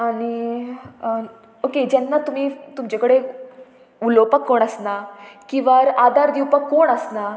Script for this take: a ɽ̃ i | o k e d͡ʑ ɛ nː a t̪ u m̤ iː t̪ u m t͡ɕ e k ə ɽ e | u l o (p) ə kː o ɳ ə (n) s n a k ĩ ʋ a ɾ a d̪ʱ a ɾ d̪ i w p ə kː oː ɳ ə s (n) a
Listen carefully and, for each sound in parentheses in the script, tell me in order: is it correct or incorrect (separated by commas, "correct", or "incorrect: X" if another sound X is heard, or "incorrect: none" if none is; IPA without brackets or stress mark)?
correct, incorrect: none, correct